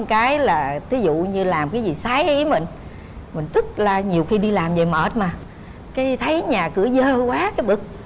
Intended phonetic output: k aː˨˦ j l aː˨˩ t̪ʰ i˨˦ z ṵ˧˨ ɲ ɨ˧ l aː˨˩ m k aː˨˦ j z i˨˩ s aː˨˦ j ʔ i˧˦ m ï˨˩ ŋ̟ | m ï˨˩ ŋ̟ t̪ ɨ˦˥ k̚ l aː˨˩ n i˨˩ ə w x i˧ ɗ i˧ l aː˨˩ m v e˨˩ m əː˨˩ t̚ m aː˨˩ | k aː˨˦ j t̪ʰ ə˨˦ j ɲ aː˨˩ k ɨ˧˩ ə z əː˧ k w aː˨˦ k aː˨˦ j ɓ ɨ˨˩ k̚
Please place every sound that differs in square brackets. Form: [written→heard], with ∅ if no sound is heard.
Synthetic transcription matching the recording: k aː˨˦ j l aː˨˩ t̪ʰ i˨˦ z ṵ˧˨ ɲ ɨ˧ l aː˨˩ m k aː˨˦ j z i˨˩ s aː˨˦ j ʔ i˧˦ m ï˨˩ ŋ̟ | m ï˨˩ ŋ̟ t̪ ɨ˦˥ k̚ l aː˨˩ [n→ɲ] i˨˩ ə w x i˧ ɗ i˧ l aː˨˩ m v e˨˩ m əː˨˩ t̚ m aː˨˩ | k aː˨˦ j t̪ʰ ə˨˦ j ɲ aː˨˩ k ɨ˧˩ ə z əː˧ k w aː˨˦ k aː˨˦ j ɓ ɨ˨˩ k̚